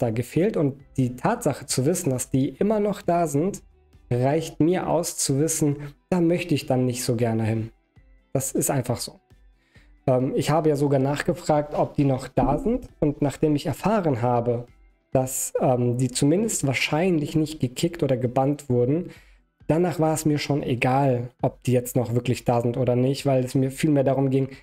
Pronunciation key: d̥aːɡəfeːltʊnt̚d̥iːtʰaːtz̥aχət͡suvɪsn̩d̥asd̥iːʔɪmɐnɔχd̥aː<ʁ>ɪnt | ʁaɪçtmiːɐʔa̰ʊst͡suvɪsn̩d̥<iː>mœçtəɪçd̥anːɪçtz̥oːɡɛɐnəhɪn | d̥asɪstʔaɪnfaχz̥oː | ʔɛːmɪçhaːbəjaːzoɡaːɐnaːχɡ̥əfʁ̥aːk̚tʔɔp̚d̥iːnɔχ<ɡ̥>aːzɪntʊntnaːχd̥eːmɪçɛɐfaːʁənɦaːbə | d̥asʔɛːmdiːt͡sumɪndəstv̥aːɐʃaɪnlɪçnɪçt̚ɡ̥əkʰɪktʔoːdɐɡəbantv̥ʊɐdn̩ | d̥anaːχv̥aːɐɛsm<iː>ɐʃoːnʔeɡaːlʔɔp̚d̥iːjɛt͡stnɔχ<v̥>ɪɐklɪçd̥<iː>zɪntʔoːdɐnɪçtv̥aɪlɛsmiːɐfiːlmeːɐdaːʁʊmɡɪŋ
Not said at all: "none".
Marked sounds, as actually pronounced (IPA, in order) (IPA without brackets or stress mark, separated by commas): z, aː, d̥, iː, v̥, aː